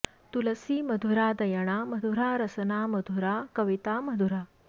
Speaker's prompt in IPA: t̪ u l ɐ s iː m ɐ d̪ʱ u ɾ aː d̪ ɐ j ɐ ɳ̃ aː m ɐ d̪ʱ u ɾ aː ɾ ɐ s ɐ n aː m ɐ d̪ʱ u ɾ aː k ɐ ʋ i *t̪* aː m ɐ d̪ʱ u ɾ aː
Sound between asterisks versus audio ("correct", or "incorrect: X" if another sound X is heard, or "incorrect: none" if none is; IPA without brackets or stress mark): correct